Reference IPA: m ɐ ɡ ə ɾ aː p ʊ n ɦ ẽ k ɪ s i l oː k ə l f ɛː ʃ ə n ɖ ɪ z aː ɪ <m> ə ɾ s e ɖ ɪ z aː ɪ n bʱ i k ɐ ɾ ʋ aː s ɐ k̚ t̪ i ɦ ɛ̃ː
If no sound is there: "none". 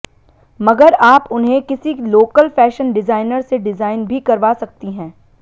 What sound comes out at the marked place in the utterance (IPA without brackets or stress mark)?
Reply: n